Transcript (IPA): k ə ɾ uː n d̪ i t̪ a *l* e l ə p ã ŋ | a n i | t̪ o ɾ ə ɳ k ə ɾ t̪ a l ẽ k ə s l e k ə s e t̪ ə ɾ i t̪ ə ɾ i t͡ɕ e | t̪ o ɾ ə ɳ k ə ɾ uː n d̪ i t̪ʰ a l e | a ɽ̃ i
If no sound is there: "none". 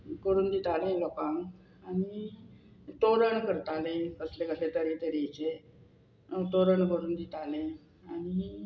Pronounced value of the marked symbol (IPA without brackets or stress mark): l